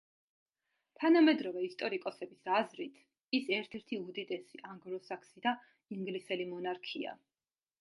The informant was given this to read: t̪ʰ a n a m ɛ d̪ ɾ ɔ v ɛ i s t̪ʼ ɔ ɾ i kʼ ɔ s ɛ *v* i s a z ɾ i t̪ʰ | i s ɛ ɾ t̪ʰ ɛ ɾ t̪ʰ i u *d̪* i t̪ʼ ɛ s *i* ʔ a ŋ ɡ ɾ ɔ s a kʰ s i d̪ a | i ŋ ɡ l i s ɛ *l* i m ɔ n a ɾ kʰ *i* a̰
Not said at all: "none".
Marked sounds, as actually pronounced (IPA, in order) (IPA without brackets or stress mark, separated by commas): b, d̪, i, l, i